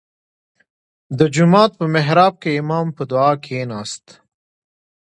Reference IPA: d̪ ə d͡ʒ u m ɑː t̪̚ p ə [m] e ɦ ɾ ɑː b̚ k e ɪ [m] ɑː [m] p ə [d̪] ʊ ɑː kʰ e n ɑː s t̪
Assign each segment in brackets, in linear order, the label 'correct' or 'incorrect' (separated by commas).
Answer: correct, correct, correct, correct